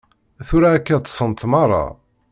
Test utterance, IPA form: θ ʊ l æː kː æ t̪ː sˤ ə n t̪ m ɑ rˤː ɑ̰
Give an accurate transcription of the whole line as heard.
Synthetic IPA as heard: θ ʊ ɾ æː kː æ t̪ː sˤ ə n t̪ m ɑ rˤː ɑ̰